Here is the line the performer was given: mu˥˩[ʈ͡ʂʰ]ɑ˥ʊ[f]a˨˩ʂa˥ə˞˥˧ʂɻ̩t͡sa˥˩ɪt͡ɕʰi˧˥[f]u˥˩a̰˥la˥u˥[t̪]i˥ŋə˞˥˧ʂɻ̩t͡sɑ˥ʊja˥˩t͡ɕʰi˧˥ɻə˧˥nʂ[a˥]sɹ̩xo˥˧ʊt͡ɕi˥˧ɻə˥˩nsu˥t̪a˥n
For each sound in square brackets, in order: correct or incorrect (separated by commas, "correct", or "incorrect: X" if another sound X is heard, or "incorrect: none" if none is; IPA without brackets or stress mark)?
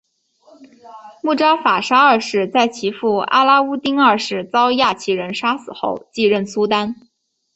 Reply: incorrect: ʈ͡ʂ, correct, correct, correct, correct